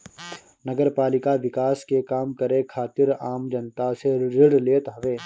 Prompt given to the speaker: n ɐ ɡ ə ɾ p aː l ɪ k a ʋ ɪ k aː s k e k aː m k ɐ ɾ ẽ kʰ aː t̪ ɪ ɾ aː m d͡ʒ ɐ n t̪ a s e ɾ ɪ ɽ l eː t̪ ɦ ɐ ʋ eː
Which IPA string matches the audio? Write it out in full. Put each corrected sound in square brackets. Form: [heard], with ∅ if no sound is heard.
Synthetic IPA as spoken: n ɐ ɡ ə ɾ p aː l ɪ k a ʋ ɪ k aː s k e k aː m k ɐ ɾ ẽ kʰ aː t̪ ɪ ɾ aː m d͡ʒ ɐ n t̪ a s e ɾ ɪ ɽ l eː t̪ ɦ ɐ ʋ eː